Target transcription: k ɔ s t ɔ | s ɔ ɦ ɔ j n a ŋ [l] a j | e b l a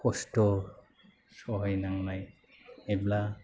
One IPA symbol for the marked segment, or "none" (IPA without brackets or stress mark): l